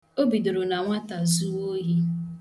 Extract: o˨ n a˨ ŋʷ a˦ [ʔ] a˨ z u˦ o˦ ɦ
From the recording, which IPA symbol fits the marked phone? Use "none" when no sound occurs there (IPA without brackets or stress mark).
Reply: t